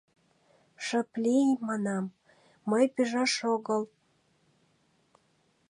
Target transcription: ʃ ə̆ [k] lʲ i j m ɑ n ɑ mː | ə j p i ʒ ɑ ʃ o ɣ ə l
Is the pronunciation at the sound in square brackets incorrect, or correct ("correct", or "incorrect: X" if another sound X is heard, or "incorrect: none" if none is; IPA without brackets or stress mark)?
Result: incorrect: p